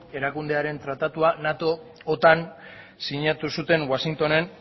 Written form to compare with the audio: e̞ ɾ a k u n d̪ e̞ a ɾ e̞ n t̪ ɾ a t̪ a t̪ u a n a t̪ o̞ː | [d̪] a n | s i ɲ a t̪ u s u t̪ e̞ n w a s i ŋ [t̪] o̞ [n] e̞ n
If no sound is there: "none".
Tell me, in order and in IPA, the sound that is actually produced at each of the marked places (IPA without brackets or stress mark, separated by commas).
t̪, t̪, n